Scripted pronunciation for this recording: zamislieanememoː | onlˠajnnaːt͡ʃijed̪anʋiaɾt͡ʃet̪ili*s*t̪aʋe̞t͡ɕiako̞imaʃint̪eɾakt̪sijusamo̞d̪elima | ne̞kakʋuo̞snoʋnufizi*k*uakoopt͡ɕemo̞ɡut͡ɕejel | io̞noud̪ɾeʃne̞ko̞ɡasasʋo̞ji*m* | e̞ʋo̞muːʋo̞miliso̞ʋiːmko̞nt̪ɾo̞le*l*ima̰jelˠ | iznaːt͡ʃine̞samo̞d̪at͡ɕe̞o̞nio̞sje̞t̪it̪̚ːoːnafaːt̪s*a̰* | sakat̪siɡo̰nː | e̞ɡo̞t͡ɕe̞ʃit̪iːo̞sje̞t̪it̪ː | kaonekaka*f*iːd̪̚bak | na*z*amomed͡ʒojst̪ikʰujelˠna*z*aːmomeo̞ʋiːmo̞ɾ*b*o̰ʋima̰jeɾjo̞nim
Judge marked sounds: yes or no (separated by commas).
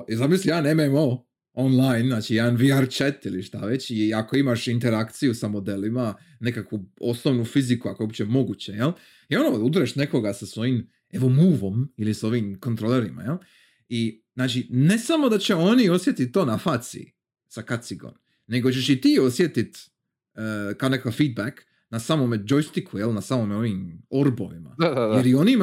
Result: no, yes, yes, no, no, yes, no, no, yes